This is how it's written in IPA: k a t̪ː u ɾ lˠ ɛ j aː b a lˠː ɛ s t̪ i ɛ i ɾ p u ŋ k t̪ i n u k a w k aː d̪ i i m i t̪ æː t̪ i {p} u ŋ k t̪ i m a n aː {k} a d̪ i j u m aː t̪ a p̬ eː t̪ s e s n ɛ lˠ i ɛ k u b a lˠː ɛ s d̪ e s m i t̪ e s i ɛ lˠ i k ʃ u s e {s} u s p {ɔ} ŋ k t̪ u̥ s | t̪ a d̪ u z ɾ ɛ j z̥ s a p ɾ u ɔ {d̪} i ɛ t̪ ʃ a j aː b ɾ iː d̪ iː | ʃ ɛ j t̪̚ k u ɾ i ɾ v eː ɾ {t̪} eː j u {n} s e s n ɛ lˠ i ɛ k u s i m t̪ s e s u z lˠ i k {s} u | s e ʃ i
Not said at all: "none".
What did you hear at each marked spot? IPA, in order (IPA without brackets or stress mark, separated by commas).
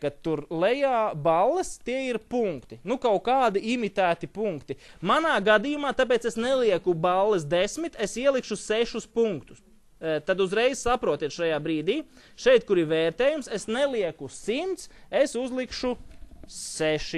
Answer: p, ɡ, ʃ, u, t̪, t̪, m, ʃ